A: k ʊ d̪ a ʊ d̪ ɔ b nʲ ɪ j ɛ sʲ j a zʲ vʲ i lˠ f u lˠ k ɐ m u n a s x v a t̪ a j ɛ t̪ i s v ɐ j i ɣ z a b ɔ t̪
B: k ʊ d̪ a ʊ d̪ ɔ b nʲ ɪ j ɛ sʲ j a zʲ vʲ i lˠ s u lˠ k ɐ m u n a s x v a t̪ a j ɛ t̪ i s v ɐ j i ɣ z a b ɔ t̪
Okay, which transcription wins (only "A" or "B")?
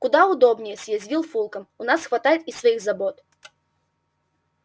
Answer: A